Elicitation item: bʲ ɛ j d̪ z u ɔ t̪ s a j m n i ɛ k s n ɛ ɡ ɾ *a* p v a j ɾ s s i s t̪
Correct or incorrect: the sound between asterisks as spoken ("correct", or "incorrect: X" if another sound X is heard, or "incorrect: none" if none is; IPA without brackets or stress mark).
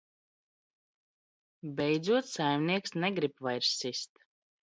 incorrect: i